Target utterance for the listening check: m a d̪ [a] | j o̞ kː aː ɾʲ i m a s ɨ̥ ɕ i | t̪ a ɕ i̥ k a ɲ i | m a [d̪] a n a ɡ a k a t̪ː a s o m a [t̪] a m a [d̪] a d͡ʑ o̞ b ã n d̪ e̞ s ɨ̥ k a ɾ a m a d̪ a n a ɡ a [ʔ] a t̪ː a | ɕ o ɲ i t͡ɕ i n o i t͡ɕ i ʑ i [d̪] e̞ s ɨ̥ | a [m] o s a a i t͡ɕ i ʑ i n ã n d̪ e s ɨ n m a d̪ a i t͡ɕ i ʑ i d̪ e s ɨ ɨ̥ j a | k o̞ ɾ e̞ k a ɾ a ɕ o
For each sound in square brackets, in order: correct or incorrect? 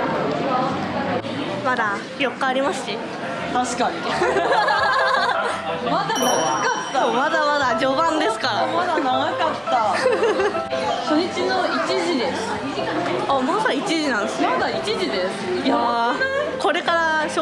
correct, correct, incorrect: d̪, correct, incorrect: k, correct, correct

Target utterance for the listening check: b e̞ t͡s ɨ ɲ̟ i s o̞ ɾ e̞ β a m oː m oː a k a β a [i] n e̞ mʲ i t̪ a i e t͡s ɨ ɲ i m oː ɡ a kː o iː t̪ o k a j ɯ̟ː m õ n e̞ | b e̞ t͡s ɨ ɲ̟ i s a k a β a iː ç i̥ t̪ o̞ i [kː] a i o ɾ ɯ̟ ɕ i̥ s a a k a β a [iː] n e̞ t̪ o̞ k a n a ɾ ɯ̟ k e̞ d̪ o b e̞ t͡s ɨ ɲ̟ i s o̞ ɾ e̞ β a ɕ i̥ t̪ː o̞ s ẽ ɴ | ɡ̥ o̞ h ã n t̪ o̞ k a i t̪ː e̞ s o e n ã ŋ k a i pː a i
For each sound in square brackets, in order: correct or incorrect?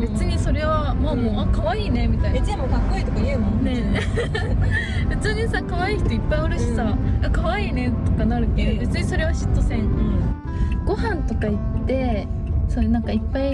incorrect: iː, incorrect: pː, correct

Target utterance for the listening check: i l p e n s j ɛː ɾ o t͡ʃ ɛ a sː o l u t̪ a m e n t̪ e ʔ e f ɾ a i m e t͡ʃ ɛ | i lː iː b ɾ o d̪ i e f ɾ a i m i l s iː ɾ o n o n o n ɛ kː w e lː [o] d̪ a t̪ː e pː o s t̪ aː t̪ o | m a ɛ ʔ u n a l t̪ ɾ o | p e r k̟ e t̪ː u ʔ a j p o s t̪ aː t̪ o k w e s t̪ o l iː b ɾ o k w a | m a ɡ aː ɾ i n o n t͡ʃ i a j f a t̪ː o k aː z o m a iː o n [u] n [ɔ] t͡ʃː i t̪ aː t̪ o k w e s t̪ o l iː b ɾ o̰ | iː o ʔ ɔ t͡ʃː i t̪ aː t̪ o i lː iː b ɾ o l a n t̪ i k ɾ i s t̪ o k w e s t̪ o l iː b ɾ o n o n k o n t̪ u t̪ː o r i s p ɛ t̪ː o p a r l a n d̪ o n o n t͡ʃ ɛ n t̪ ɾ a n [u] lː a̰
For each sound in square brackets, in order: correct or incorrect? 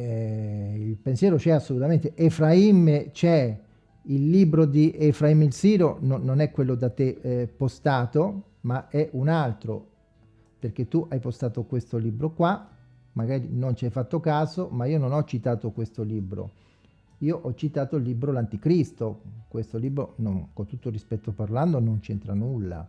correct, incorrect: o, correct, correct

